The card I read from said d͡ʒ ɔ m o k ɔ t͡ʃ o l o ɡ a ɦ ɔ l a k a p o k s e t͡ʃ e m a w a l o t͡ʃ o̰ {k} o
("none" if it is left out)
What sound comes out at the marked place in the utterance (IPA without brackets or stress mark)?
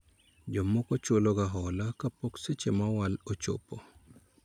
p